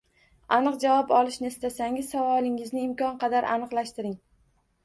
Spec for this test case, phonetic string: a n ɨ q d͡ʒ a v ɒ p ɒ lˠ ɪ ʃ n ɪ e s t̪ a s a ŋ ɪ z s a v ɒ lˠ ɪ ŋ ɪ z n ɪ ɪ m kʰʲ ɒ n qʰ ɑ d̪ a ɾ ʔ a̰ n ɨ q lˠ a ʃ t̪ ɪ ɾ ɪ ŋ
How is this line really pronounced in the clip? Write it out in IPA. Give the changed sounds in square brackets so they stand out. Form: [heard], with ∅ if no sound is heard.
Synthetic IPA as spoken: a n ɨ q d͡ʒ a v ɒ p ɒ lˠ ɪ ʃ n ɪ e s t̪ a s a ŋ ɪ z s a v ɒ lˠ ɪ ŋ ɪ z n ɪ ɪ m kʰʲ ɒ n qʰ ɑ d̪ a ɾ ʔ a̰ n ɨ q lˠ a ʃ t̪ ɪ ɾ ɪ ŋ